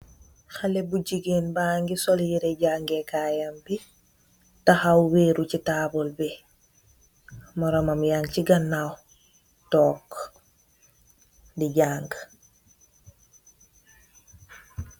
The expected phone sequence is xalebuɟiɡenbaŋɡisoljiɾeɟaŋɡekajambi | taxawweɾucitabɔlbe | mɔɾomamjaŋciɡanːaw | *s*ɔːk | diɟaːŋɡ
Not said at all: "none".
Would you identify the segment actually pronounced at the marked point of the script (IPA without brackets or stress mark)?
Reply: t